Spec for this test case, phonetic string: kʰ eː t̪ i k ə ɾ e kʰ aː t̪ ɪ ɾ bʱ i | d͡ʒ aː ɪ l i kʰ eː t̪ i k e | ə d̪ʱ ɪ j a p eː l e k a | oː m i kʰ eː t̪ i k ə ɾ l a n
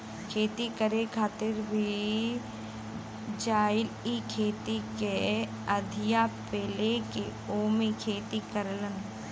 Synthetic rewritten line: kʰ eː t̪ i k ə ɾ e kʰ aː t̪ ɪ ɾ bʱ i | d͡ʒ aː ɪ l i kʰ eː t̪ i k e | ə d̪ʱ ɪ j a p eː l e k e | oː m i kʰ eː t̪ i k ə ɾ l ə n